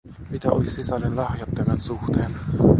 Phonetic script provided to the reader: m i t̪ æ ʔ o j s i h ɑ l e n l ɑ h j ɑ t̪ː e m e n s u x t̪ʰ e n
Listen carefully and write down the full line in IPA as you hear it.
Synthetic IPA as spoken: m i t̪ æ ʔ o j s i s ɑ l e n l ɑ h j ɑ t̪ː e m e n s u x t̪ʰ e n

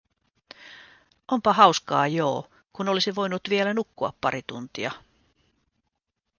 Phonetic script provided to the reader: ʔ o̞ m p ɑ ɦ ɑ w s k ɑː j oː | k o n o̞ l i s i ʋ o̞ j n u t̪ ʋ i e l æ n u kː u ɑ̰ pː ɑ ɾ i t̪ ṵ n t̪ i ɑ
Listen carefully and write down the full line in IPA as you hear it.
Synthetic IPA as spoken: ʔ o̞ m p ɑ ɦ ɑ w s k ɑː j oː | k u n o̞ l i s i ʋ o̞ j n u t̪ ʋ i e l æ n u kː u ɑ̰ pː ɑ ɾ i t̪ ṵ n t̪ i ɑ

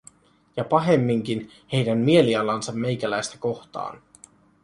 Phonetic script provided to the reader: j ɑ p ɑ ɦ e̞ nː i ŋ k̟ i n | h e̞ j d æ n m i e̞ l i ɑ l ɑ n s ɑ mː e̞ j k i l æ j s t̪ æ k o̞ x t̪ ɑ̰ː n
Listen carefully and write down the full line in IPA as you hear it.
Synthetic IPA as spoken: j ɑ p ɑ ɦ e̞ mː i ŋ k̟ i n | h e̞ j d æ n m i e̞ l i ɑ l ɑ n s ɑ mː e̞ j k æ l æ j s t̪ æ k o̞ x t̪ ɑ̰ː n

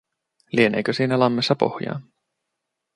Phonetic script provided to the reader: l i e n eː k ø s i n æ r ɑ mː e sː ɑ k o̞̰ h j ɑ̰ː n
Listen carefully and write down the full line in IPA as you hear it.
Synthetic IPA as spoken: l i e n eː k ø s iː n æ l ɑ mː e sː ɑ p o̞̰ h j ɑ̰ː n

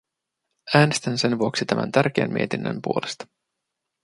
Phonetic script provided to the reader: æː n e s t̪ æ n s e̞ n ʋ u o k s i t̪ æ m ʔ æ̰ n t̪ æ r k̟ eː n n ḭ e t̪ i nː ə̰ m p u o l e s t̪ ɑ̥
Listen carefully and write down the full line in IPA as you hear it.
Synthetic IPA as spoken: æː n e s t̪ æ n s e̞ n ʋ u o k s i t̪ æ m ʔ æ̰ n t̪ æ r k̟ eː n m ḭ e t̪ i nː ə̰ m p u o l e s t̪ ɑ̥

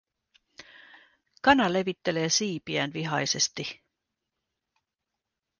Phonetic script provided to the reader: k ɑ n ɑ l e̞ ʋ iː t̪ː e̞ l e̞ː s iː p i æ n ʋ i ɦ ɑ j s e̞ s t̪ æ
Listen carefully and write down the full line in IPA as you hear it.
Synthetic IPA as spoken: k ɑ n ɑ l e̞ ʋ i t̪ː e̞ l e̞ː s iː p i æ n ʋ i ɦ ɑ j s e̞ s t̪ i

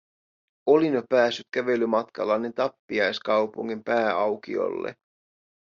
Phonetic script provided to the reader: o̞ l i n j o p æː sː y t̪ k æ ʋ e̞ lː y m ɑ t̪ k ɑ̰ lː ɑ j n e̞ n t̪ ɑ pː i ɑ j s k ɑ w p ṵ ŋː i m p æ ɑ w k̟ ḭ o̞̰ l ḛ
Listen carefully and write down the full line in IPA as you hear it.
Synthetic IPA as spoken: o̞ l i n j o p æː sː y t̪ k æ ʋ e̞ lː y m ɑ t̪ k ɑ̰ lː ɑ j n e̞ n t̪ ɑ pː i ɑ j s k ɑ w p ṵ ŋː i m p æː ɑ w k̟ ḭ o̞̰ lː ḛ

